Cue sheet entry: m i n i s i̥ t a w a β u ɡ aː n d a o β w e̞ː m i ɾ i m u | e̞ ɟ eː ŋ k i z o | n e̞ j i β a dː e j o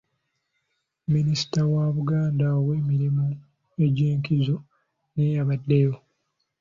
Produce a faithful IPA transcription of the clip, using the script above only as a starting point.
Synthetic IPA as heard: m i n i s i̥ t a w a β u ɡ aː n d a o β w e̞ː m i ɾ i m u | e̞ ɟ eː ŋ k i z o | n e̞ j a β a dː e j o